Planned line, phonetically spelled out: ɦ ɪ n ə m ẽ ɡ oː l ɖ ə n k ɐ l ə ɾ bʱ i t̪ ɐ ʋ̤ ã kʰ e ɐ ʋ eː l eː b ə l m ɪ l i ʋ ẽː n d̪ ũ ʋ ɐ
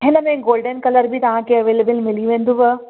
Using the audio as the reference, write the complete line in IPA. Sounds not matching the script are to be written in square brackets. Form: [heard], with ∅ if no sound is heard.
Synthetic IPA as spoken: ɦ ɪ n ə m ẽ ɡ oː l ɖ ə n k ɐ l ə ɾ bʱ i t̪ ɐ ʋ̤ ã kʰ e ɐ ʋ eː l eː b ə l m ɪ l i ʋ ẽː n d̪ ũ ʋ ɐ